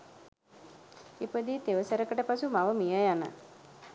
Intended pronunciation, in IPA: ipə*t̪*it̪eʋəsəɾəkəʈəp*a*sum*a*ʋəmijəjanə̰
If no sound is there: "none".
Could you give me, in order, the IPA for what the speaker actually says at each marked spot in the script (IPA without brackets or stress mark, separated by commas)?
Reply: d̪, a, a